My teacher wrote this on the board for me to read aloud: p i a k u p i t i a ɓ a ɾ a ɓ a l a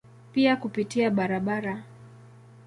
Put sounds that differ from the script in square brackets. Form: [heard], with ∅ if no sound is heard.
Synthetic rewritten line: p i a k u p i t i a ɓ a ɾ a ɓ a [ɾ] a